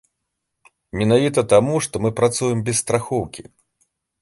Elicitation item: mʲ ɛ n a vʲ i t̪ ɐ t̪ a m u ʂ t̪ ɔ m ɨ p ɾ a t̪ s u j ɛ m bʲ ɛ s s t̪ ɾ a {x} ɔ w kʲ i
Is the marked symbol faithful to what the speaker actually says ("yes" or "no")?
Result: yes